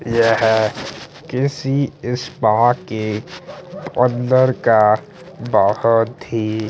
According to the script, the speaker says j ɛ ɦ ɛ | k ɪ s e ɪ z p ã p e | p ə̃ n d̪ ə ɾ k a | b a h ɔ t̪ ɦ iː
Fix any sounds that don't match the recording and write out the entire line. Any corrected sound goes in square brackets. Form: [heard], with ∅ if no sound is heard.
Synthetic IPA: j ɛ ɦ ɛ | k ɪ s [i] ɪ [s] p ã [k] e | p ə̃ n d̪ ə ɾ k a | b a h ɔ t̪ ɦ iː

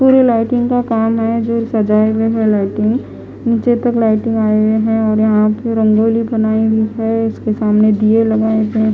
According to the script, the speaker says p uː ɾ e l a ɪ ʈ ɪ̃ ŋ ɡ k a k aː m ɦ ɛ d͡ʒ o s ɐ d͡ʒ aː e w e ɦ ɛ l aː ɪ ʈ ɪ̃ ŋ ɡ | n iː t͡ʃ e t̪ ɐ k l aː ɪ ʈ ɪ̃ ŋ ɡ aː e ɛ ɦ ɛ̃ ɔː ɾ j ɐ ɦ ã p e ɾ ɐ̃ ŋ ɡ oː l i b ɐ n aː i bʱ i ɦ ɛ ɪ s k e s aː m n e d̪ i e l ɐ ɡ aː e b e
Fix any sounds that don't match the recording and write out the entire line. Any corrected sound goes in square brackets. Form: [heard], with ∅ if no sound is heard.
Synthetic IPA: p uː ɾ e l a ɪ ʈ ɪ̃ ŋ ɡ k a k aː m ɦ ɛ d͡ʒ o s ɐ d͡ʒ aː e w e ɦ ɛ l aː ɪ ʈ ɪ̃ ŋ ɡ | n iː t͡ʃ e t̪ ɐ k l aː ɪ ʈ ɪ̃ ŋ ɡ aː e [e] ɦ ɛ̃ ɔː ɾ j ɐ ɦ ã p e ɾ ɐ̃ ŋ ɡ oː l i b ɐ n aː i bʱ i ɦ ɛ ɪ s k e s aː m n e d̪ i e l ɐ ɡ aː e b e

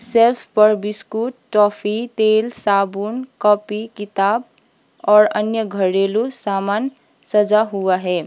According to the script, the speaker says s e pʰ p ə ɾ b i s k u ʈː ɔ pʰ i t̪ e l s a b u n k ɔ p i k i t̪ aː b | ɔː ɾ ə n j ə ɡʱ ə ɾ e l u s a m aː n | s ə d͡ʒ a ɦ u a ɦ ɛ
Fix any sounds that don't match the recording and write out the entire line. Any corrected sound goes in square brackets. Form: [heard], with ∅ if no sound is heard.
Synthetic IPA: s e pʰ p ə ɾ b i s k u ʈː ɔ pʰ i t̪ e l s a b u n k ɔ p i k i t̪ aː b | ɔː ɾ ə n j ə ɡʱ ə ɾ e l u s a m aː n | s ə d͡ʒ a ɦ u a ɦ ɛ

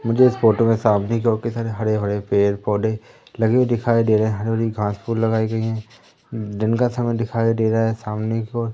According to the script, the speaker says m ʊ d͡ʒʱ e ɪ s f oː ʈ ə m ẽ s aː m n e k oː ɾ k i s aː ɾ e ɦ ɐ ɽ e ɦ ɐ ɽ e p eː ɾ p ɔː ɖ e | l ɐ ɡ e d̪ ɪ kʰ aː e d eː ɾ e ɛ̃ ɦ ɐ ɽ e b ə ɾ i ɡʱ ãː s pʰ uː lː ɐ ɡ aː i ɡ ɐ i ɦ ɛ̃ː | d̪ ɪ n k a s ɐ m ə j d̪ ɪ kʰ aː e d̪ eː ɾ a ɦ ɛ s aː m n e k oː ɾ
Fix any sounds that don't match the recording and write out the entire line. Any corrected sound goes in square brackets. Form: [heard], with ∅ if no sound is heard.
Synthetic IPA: m ʊ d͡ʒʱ e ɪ s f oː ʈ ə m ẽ s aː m n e k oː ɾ k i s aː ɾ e ɦ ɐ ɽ e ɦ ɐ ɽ e p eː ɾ p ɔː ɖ e | l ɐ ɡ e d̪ ɪ kʰ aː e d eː ɾ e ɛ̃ ɦ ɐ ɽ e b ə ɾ i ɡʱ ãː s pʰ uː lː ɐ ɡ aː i ɡ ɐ i ɦ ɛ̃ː | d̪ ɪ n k a s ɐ m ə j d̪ ɪ kʰ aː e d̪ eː ɾ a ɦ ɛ s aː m n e k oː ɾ

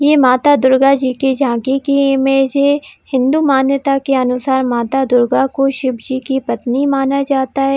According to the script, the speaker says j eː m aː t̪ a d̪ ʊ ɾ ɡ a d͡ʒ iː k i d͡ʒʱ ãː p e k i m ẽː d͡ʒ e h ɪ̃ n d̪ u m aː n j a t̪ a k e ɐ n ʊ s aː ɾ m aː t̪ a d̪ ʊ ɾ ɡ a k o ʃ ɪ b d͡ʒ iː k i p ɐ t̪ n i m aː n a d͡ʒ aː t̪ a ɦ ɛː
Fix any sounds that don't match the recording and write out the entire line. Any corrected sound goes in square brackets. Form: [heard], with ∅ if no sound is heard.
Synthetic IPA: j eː m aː t̪ a d̪ ʊ ɾ ɡ a d͡ʒ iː k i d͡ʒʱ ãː [k] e k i m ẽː d͡ʒ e h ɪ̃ n d̪ u m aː n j [ə] t̪ a k e ɐ n ʊ s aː ɾ m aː t̪ a d̪ ʊ ɾ ɡ a k o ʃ ɪ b d͡ʒ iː k i p ɐ t̪ n i m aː n a d͡ʒ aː t̪ a ɦ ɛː

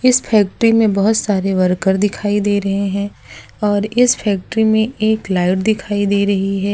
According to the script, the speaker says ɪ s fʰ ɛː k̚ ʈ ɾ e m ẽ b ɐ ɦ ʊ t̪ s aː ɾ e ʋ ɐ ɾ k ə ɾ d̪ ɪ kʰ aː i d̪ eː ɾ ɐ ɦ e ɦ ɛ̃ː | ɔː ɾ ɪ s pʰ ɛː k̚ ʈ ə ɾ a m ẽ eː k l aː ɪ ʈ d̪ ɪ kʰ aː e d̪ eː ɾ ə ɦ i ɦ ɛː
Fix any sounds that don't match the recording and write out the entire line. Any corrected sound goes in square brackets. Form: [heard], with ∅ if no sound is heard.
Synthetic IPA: ɪ s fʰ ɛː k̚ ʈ ɾ [i] m ẽ b ɐ ɦ ʊ t̪ s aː ɾ e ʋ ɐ ɾ k ə ɾ d̪ ɪ kʰ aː i d̪ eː ɾ ɐ ɦ e ɦ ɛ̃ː | ɔː ɾ ɪ s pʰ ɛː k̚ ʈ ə ɾ [i] m ẽ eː k l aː ɪ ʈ d̪ ɪ kʰ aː [i] d̪ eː ɾ [ɐ] ɦ i ɦ ɛː

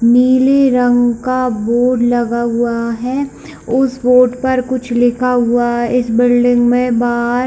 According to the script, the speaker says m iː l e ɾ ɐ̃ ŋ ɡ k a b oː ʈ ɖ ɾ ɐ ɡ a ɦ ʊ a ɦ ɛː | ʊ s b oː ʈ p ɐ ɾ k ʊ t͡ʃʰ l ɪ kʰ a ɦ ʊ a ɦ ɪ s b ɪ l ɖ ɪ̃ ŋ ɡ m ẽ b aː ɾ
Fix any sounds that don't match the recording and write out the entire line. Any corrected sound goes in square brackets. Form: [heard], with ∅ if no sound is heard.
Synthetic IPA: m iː l e ɾ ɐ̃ ŋ ɡ k a b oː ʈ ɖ [l] ɐ ɡ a ɦ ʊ a ɦ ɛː | ʊ s b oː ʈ p ɐ ɾ k ʊ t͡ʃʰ l ɪ kʰ a ɦ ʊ a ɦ ɪ s b ɪ l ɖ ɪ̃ ŋ ɡ m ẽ b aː ɾ

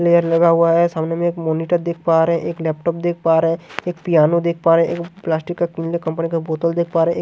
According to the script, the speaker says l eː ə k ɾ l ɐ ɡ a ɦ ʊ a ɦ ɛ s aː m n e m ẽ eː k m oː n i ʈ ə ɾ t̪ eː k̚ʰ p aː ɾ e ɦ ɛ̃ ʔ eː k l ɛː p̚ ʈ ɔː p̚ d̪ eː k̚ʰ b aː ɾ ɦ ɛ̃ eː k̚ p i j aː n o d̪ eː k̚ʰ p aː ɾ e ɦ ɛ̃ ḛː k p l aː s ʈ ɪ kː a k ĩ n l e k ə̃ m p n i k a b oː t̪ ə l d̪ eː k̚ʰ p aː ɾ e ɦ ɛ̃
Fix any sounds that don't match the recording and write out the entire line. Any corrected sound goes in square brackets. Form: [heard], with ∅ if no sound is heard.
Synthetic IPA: l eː ə [∅] ɾ l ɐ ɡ a ɦ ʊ a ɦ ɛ s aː m n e m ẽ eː k m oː n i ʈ ə ɾ [d̪] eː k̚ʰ p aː ɾ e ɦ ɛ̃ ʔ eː k l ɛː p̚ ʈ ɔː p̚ d̪ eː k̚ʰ [p] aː ɾ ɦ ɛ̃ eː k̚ p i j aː n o d̪ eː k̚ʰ p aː ɾ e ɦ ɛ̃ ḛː k p l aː s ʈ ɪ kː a k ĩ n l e k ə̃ m p n i k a b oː t̪ ə l d̪ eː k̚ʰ p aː ɾ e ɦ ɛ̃

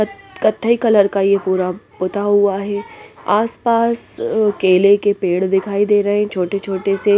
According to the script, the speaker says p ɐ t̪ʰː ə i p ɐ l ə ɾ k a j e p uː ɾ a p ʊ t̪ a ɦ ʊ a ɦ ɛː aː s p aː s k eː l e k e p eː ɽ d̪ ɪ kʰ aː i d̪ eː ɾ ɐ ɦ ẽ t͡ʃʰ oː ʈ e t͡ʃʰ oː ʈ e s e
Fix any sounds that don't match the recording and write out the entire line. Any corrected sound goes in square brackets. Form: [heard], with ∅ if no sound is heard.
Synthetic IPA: [k] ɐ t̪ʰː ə i [k] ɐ l ə ɾ k a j e p uː ɾ a p ʊ t̪ a ɦ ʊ a ɦ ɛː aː s p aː s k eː l e k e p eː ɽ d̪ ɪ kʰ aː i d̪ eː ɾ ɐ ɦ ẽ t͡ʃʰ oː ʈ e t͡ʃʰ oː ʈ e s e

